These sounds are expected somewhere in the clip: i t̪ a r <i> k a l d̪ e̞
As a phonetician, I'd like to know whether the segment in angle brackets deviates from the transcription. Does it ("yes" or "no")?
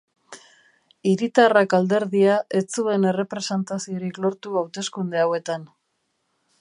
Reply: yes